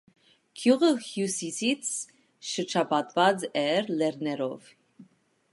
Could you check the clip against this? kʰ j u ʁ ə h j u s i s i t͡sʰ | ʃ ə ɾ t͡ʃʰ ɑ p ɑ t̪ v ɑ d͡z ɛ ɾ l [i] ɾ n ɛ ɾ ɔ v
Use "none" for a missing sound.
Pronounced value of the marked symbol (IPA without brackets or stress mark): ɛ